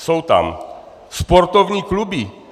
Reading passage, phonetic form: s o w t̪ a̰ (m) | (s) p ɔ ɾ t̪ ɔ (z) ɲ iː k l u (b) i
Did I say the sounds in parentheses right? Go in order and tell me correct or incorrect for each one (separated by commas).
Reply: correct, correct, incorrect, correct